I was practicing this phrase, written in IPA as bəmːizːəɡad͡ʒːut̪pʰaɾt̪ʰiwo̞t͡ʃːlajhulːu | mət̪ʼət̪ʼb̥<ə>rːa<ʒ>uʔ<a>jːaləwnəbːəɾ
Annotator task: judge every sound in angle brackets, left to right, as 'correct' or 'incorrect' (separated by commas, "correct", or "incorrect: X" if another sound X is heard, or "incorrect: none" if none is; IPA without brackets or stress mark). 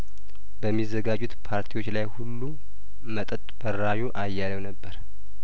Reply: correct, correct, correct